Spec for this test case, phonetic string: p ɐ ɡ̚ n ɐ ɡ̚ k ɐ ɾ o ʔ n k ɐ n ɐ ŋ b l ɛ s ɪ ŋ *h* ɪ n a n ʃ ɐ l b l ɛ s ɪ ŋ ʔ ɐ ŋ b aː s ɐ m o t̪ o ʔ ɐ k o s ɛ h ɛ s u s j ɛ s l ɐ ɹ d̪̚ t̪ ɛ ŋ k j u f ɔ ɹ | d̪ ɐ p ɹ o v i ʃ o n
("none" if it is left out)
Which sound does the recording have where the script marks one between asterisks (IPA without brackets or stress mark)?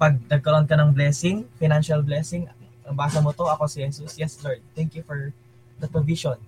f